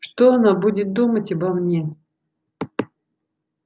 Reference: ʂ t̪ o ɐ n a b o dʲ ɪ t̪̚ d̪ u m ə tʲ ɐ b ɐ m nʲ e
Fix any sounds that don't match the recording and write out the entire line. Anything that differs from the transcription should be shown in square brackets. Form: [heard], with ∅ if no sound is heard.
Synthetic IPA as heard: ʂ t̪ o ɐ n a b [u] dʲ ɪ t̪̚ d̪ u m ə tʲ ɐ b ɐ m nʲ e